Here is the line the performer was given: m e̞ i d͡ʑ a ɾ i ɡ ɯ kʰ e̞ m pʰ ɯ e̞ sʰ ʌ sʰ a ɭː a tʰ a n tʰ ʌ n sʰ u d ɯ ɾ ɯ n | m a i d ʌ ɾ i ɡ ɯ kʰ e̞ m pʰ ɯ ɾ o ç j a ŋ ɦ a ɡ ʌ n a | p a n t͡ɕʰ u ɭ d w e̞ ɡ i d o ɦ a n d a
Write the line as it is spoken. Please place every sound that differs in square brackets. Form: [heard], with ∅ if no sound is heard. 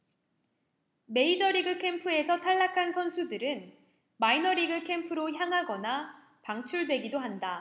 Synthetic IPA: m e̞ i d͡ʑ [ʌ] ɾ i ɡ ɯ kʰ e̞ m pʰ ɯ e̞ sʰ ʌ [tʰ] a ɭː a [kʰ] a n [sʰ] ʌ n sʰ u d ɯ ɾ ɯ n | m a i [n] ʌ ɾ i ɡ ɯ kʰ e̞ m pʰ ɯ ɾ o ç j a ŋ ɦ a ɡ ʌ n a | p a [ŋ] t͡ɕʰ u ɭ d w e̞ ɡ i d o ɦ a n d a